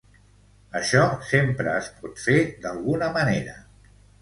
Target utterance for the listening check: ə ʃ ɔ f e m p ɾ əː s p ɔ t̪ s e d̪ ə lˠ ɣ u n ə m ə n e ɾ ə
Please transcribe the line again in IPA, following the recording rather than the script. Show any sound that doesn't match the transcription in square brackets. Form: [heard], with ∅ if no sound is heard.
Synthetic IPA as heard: ə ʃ ɔ [s] e m p ɾ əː s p ɔ t̪ [f] e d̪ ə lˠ ɣ u n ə m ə n e ɾ ə